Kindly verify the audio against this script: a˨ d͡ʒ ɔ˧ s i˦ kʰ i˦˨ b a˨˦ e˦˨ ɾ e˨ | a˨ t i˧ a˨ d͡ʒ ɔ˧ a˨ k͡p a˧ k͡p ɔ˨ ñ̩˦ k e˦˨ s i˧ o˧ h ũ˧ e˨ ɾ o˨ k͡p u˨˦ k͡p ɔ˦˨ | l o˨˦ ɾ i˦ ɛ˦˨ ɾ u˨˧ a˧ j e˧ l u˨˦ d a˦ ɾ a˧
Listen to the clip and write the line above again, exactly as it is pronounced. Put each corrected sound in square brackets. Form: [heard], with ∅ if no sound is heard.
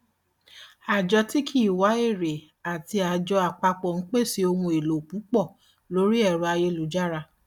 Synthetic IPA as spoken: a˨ d͡ʒ ɔ˧ [t] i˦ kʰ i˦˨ [w] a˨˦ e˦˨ ɾ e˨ | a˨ t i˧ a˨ d͡ʒ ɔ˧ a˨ k͡p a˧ k͡p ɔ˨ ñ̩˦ [k͡p] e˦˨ s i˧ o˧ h ũ˧ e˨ [l] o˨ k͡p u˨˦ k͡p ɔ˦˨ | l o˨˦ ɾ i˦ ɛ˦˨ ɾ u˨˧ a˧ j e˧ l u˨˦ [d͡ʒ] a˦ ɾ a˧